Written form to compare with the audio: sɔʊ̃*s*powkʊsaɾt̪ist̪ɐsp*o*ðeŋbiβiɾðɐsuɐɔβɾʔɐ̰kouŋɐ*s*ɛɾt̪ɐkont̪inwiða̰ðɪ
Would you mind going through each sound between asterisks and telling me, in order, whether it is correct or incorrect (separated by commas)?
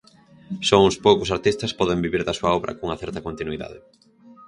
correct, incorrect, incorrect